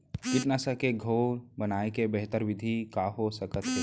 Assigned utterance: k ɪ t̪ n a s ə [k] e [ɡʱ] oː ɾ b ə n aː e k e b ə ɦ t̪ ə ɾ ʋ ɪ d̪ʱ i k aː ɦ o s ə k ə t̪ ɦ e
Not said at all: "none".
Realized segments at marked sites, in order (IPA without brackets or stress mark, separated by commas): k, ɡʱ